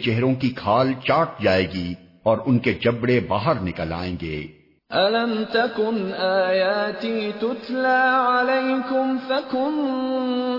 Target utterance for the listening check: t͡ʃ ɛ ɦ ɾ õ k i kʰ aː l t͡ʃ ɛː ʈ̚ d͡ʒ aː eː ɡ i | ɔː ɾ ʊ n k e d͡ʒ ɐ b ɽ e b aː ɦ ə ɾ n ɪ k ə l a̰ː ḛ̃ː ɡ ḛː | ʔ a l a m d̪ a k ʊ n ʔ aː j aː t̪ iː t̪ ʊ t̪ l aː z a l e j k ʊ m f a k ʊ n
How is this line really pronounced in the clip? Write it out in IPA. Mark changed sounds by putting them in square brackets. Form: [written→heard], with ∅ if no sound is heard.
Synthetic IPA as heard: t͡ʃ ɛ ɦ ɾ õ k i kʰ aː l t͡ʃ [ɛː→aː] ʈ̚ d͡ʒ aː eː ɡ i | ɔː ɾ ʊ n k e d͡ʒ ɐ b ɽ e b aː ɦ ə ɾ n ɪ k ə l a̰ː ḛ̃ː ɡ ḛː | ʔ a l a m [d̪→t̪] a k ʊ n ʔ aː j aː t̪ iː t̪ ʊ t̪ l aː [z→ʕ] a l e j k ʊ m f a k ʊ n